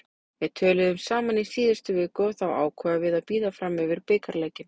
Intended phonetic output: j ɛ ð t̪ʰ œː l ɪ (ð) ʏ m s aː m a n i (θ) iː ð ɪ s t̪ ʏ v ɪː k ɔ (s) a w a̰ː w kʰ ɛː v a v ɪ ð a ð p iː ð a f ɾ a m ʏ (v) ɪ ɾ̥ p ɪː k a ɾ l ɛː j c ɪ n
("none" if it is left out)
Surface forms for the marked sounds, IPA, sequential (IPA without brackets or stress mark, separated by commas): ð, s, θ, v